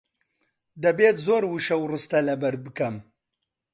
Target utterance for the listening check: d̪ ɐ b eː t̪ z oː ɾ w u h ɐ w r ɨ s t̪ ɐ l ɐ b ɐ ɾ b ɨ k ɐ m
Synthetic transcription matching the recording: d̪ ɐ b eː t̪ z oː ɾ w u ʃ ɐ w r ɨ s t̪ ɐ l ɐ b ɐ ɾ b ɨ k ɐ m